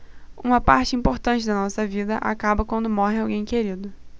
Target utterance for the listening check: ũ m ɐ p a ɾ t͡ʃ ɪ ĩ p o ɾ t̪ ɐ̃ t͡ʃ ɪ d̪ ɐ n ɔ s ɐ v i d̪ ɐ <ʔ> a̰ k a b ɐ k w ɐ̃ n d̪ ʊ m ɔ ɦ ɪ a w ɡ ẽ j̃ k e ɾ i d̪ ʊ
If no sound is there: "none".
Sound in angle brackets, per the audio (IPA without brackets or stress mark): ʔ